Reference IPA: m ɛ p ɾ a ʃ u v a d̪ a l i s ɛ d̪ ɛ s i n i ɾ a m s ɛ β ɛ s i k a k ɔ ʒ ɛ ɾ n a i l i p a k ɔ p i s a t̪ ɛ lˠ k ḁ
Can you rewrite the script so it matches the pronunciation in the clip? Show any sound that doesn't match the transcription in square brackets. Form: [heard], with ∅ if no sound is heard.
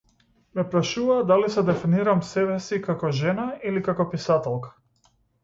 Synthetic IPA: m ɛ p ɾ a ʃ u v a d̪ a l i s ɛ d̪ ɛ [f] i n i ɾ a m s ɛ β ɛ s i k a k ɔ ʒ ɛ [∅] n a i l i [k] a k ɔ p i s a t̪ ɛ lˠ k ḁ